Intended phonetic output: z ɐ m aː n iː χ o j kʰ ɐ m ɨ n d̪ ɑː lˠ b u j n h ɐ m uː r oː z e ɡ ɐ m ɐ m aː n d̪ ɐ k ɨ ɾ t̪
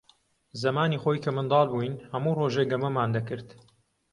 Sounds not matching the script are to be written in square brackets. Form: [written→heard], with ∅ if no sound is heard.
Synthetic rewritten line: z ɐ m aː n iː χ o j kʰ ɐ m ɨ n d̪ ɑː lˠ b u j n h ɐ m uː r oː [z→ʒ] e ɡ ɐ m ɐ m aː n d̪ ɐ k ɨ ɾ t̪